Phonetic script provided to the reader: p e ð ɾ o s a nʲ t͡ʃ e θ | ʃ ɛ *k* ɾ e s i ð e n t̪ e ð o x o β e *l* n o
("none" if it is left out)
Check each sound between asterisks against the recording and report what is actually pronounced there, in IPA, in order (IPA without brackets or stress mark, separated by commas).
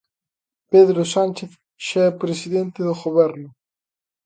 p, ɾ